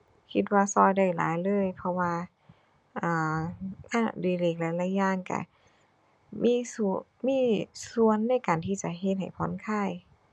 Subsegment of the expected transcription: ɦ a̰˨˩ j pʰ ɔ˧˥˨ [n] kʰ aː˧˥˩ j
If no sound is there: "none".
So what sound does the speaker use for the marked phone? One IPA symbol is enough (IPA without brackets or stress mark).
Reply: n